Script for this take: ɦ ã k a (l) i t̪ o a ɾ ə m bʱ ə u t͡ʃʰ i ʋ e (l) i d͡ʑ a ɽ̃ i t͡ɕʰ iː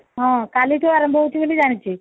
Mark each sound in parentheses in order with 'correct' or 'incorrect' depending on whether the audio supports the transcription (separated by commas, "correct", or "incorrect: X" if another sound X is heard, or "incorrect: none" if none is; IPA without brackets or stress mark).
correct, correct